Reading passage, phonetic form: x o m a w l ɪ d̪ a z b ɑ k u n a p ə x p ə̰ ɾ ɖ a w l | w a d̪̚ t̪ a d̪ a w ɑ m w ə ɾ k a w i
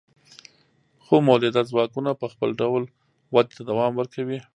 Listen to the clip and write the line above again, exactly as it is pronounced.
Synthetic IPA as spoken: x o m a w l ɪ d̪ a z w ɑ k u n a p ə x p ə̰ l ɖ a w l | w a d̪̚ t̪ a d̪ a w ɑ m w ə ɾ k a w i